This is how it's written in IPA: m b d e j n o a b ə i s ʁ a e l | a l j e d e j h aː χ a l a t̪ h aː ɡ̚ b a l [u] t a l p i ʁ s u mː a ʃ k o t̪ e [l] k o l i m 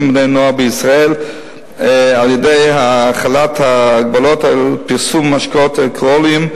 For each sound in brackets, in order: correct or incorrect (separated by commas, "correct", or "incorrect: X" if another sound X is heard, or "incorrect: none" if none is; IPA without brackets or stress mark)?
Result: incorrect: o, correct